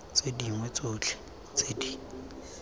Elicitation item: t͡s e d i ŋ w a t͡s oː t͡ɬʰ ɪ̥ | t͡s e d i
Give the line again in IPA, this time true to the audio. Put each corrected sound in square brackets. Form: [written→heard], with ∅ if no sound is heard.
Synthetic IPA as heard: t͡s e d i ŋ w [a→ɛ] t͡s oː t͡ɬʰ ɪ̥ | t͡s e d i